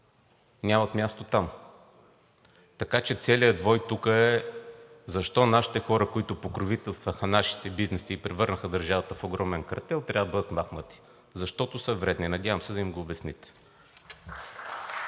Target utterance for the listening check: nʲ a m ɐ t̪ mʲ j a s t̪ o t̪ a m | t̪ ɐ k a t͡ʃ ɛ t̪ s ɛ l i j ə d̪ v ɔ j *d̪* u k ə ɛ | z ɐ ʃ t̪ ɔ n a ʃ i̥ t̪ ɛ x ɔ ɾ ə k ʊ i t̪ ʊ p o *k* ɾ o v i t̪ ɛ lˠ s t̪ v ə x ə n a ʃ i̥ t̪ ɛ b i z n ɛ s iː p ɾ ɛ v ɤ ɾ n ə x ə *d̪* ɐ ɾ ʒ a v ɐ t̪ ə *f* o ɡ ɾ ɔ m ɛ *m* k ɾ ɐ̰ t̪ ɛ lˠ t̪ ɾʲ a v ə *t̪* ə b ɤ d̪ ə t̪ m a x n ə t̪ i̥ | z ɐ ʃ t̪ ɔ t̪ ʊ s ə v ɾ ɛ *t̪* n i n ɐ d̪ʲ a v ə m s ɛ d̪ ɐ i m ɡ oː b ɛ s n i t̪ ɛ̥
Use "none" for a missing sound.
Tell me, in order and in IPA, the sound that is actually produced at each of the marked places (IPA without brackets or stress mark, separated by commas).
t̪, k, d̪, f, n, d̪, d̪